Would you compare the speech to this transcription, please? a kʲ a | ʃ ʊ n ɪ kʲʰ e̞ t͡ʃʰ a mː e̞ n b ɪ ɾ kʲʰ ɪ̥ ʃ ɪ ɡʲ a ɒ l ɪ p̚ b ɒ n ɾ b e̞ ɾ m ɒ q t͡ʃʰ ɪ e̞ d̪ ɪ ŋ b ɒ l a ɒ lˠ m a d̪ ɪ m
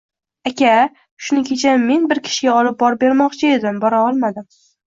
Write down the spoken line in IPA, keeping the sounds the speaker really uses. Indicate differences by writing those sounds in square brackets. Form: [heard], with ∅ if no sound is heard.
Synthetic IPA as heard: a kʲ a | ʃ ʊ n ɪ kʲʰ e̞ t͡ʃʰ a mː e̞ n b ɪ ɾ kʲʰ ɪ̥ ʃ ɪ ɡʲ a ɒ l ɪ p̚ b ɒ [∅] ɾ b e̞ ɾ m ɒ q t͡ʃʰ ɪ e̞ d̪ ɪ [m] b ɒ [ɾ] a ɒ lˠ m a d̪ ɪ m